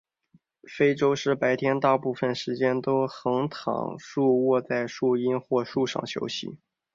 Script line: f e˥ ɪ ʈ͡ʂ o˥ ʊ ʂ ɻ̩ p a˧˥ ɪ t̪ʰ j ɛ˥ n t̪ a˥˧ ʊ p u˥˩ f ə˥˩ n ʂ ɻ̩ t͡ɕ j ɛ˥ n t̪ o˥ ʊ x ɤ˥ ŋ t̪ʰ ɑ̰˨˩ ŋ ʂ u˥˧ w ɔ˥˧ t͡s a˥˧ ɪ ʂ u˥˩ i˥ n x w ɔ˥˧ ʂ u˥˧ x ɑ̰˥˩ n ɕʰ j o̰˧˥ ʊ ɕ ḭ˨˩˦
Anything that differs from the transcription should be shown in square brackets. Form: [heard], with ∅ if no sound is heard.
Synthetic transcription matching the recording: f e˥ ɪ ʈ͡ʂ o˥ ʊ ʂ ɻ̩ p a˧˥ ɪ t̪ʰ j ɛ˥ n t̪ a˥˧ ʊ p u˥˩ f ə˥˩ n ʂ ɻ̩ t͡ɕ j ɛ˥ n t̪ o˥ ʊ x [ɤ˧˥] ŋ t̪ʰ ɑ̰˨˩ ŋ ʂ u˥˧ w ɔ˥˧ t͡s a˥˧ ɪ ʂ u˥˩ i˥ n x w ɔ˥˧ ʂ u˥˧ [ʂ] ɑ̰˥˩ [ŋ] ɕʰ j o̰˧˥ ʊ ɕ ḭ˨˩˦

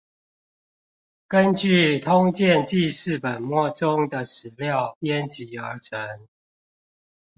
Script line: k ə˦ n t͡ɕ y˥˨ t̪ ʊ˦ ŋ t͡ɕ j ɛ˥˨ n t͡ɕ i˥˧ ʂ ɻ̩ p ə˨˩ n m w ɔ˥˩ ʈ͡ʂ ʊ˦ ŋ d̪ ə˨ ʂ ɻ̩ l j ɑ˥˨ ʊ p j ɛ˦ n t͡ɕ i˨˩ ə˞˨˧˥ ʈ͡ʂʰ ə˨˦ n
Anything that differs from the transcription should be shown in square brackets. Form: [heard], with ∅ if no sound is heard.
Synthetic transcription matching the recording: k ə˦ n t͡ɕ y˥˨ [t̪ʰ] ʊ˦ ŋ t͡ɕ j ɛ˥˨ n t͡ɕ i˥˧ ʂ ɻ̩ p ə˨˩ n m w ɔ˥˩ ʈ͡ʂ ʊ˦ ŋ d̪ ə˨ ʂ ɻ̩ l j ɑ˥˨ ʊ p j ɛ˦ n t͡ɕ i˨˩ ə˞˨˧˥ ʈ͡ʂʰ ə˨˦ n

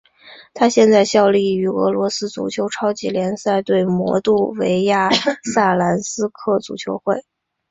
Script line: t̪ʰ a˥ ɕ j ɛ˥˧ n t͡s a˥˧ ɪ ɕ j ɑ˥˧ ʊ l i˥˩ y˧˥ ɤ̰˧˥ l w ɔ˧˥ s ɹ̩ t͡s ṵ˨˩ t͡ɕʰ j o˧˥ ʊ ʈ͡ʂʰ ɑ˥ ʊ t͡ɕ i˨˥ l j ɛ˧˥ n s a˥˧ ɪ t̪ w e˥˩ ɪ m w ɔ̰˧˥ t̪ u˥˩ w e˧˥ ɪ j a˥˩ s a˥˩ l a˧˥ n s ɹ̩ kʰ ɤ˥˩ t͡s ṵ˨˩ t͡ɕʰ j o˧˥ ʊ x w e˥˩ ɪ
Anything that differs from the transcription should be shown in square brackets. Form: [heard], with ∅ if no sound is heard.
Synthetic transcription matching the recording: t̪ʰ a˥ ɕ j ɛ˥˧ n t͡s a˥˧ ɪ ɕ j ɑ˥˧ ʊ l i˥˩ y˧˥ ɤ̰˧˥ l w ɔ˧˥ s ɹ̩ t͡s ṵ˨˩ t͡ɕʰ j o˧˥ ʊ ʈ͡ʂʰ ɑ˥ ʊ t͡ɕ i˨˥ l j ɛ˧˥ n s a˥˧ ɪ t̪ w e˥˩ ɪ m w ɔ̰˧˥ t̪ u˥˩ w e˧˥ ɪ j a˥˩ s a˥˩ l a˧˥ n s ɹ̩ kʰ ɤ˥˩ t͡s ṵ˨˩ t͡ɕʰ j o˧˥ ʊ x w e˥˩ ɪ

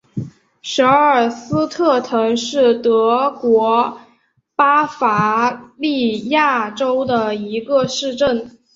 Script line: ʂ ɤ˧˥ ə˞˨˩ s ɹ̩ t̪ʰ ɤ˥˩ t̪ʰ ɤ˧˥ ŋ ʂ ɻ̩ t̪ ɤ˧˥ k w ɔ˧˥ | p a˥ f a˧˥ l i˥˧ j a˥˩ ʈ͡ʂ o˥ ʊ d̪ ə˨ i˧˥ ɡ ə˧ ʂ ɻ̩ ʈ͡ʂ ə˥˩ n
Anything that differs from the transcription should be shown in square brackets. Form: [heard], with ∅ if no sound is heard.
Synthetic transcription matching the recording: ʂ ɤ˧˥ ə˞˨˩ s ɹ̩ t̪ʰ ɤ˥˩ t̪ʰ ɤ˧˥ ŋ ʂ ɻ̩ t̪ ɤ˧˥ k w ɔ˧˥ | p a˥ f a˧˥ l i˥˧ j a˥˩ ʈ͡ʂ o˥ ʊ d̪ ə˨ i˧˥ ɡ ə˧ ʂ ɻ̩ ʈ͡ʂ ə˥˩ n

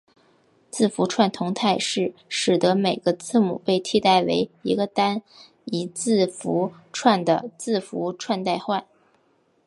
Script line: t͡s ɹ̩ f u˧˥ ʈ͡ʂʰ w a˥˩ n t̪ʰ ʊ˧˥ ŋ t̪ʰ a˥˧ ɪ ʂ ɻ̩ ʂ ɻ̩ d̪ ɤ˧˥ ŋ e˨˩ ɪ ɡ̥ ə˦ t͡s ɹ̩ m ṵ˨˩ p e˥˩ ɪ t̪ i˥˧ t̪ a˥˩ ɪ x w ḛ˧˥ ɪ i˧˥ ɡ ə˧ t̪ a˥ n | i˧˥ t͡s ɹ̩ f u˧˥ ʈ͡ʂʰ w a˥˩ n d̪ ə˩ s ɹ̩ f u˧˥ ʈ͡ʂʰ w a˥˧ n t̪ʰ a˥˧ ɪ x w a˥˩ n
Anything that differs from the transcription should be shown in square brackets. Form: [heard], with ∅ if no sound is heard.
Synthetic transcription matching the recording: t͡s ɹ̩ f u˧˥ ʈ͡ʂʰ w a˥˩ n t̪ʰ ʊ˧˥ ŋ t̪ʰ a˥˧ ɪ ʂ ɻ̩ ʂ ɻ̩ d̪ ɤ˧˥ [m] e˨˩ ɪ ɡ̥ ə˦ t͡s ɹ̩ m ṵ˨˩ p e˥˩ ɪ [t̪ʰ] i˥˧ t̪ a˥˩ ɪ [∅] w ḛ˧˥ ɪ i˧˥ ɡ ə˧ t̪ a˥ n | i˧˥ t͡s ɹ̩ f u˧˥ ʈ͡ʂʰ w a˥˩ n d̪ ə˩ [t͡s] ɹ̩ f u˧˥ ʈ͡ʂʰ w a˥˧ n [t̪] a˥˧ ɪ x w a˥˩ n

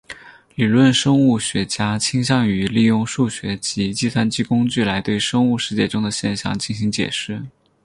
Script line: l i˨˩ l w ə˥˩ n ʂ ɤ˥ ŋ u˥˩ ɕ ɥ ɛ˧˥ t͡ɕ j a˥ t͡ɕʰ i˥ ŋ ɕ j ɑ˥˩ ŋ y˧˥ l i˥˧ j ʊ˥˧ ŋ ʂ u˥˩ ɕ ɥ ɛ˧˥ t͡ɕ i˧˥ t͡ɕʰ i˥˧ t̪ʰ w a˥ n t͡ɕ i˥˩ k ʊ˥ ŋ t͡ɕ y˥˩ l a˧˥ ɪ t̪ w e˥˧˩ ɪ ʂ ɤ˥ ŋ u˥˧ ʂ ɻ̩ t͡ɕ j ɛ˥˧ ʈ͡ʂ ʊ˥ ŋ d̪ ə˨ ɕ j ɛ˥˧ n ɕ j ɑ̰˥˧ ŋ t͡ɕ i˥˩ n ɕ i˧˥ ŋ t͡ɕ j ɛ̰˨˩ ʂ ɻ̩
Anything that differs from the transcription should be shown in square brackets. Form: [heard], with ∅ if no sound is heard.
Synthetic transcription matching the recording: l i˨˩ l w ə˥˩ n ʂ ɤ˥ ŋ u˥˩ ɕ ɥ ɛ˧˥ t͡ɕ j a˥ t͡ɕʰ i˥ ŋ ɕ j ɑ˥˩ ŋ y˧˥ l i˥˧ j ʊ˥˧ ŋ ʂ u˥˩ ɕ ɥ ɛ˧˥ t͡ɕ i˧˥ [t͡ɕ] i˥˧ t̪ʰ w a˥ n t͡ɕ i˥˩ k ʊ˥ ŋ t͡ɕ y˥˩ l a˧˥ ɪ t̪ w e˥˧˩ ɪ ʂ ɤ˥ ŋ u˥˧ ʂ ɻ̩ t͡ɕ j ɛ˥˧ ʈ͡ʂ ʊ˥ ŋ d̪ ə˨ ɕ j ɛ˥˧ n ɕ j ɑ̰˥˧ ŋ t͡ɕ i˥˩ n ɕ i˧˥ ŋ t͡ɕ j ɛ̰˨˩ ʂ ɻ̩

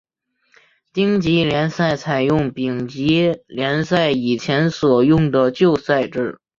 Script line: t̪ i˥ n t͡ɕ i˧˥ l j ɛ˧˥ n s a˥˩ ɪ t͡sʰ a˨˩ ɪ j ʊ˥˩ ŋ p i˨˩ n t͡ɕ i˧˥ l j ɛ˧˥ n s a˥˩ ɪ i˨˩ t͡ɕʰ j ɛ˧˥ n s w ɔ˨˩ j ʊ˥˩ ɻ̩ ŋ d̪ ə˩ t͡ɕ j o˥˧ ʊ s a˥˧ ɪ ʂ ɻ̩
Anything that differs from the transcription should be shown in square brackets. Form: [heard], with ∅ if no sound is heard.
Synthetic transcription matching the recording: t̪ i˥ [ŋ] t͡ɕ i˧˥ l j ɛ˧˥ n s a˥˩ ɪ t͡sʰ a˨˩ ɪ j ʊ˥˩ ŋ p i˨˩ [ŋ] t͡ɕ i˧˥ l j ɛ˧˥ n s a˥˩ ɪ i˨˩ t͡ɕʰ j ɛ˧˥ n s w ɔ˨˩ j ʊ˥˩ [∅] ŋ d̪ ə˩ t͡ɕ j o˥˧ ʊ s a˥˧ ɪ [ʈ͡ʂ] ɻ̩

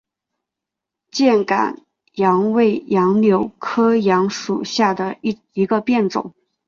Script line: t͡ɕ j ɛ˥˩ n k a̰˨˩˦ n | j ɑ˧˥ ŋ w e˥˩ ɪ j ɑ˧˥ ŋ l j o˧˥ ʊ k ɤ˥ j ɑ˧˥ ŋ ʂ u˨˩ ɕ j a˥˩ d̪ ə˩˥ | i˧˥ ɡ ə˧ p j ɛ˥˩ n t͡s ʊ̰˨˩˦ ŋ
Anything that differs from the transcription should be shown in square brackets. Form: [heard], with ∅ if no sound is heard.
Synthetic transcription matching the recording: t͡ɕ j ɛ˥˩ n k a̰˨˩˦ n | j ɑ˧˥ ŋ w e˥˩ ɪ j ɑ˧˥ ŋ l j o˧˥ ʊ [kʰ] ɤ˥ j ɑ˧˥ ŋ ʂ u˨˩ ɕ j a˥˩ d̪ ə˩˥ | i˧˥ ɡ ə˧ p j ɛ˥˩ n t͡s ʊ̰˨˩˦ ŋ

